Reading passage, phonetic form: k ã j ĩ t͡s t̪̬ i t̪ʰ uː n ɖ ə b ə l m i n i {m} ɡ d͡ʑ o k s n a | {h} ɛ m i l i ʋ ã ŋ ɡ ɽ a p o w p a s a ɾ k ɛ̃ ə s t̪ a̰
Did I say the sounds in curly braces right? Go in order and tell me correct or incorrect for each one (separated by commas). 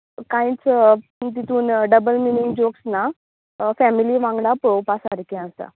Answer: incorrect, incorrect